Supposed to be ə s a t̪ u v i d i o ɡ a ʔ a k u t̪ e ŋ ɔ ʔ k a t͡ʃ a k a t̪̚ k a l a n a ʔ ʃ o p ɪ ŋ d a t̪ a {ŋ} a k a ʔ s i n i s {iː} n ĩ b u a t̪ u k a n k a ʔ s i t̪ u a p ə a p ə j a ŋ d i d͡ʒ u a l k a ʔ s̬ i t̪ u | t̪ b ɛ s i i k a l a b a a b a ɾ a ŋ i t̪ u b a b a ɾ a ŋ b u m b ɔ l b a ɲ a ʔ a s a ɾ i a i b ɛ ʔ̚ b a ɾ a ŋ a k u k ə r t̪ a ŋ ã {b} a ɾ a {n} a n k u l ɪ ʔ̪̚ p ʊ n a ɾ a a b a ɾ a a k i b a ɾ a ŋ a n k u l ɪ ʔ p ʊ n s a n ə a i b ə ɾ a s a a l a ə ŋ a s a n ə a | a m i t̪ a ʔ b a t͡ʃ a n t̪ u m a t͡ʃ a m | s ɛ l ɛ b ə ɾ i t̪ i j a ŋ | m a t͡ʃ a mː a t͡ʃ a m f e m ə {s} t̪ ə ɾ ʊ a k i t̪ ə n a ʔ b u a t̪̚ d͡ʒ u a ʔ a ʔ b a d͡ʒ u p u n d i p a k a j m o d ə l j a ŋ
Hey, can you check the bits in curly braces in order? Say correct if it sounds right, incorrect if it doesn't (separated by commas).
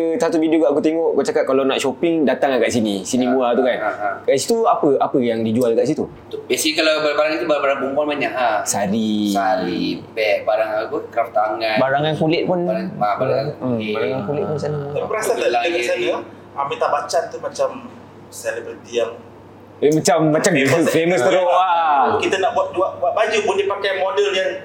correct, incorrect, correct, incorrect, correct